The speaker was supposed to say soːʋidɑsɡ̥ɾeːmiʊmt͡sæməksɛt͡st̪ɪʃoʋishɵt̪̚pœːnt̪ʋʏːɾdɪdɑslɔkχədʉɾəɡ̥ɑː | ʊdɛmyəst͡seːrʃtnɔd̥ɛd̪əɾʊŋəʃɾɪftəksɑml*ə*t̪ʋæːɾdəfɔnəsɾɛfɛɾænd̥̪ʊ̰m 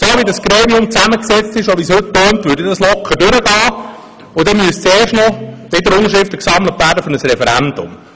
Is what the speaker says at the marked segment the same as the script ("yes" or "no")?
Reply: yes